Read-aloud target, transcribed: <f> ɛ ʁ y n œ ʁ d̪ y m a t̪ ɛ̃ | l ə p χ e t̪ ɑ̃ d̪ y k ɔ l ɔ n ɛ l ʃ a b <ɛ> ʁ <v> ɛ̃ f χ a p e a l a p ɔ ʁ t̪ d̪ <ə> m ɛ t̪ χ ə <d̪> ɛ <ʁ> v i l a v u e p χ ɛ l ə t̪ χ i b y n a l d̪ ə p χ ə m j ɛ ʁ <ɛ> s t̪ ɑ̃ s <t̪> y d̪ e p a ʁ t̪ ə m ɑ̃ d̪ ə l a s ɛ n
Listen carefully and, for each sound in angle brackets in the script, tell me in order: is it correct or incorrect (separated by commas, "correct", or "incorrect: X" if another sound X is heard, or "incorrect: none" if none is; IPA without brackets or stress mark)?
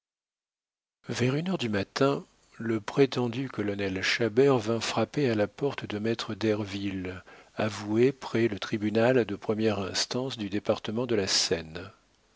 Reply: incorrect: v, correct, correct, correct, correct, correct, incorrect: ɛ̃, incorrect: d̪